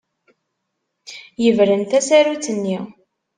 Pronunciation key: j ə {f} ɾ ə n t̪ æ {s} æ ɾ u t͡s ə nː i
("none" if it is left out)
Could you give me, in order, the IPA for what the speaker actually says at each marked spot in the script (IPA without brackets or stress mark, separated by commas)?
v, s